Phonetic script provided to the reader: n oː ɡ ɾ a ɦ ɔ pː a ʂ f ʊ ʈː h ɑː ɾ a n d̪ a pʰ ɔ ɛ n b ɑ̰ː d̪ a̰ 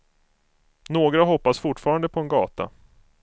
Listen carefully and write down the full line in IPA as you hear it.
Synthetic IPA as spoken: n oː ɡ ɾ a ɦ ɔ pː a s f ʊ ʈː f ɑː ɾ a n d̪ ə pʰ ɔ ɛ n ɡ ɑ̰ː t̪ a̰

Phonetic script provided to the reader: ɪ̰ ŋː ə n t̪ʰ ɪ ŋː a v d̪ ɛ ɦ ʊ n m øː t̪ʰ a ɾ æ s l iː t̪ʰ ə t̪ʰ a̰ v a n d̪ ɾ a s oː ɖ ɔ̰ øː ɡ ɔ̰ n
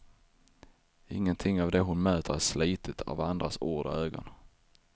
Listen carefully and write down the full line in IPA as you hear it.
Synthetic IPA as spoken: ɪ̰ ŋː ə n t̪ʰ ɪ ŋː a v d̪ ɛ ɦ ʊ n m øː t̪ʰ ə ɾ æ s l iː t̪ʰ ə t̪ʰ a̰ v a n d̪ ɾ a s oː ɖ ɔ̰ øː ɡ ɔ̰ n

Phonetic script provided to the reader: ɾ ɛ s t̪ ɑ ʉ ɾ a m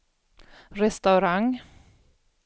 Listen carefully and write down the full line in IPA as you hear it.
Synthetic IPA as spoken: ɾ ɛ s t̪ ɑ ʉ ɾ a ŋ

